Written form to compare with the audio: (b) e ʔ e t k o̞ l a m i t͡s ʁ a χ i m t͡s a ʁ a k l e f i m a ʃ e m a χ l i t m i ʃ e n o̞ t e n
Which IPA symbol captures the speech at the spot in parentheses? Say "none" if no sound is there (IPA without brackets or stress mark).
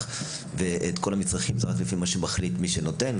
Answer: v